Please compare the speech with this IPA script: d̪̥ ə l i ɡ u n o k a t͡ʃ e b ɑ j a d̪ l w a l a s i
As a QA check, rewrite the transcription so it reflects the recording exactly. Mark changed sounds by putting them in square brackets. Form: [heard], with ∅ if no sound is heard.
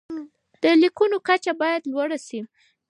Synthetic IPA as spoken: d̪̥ ə l i [k] u n o k a t͡ʃ [a] b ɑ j a d̪ l w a [ɽ] a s i